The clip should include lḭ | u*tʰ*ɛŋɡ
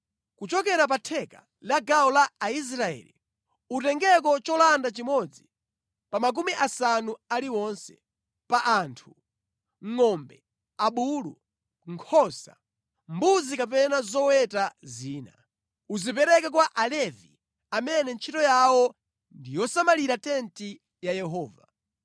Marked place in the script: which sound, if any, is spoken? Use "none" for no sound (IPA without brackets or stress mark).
t